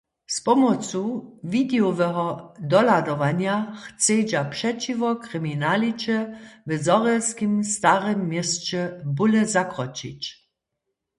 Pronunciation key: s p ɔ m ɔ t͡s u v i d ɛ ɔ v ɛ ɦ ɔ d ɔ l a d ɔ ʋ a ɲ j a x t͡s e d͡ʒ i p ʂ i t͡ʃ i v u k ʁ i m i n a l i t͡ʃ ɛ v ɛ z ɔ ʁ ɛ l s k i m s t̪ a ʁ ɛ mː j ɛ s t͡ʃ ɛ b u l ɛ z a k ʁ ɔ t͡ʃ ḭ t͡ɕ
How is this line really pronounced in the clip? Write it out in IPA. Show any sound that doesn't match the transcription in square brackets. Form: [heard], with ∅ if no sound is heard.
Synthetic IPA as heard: s p ɔ m ɔ t͡s u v i d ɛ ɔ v ɛ ɦ ɔ d ɔ l a d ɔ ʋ a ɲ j a x t͡s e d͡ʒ [a] p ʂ [ɛ] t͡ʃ i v [ɔ] k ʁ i m i n a l i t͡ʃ ɛ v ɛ z ɔ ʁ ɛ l s k i m s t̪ a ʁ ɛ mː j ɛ s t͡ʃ ɛ b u l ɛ z a k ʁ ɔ t͡ʃ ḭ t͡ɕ